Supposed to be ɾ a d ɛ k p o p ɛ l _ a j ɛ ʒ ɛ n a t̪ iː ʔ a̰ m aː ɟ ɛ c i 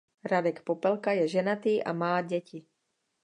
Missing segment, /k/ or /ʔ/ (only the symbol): k